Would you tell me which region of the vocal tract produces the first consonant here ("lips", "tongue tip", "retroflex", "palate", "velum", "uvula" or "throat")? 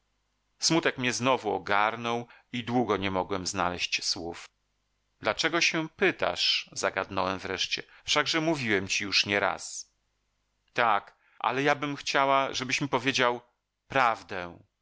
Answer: tongue tip